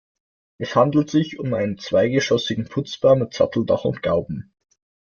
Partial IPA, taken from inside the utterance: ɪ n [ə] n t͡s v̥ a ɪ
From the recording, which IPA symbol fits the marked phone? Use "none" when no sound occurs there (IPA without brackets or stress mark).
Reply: ə